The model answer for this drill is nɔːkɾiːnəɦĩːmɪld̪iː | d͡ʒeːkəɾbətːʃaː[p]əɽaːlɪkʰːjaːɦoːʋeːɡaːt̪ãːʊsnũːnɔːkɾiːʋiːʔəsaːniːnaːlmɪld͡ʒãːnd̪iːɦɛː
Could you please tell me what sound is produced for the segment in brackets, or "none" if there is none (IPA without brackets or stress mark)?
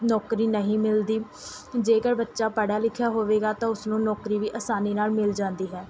p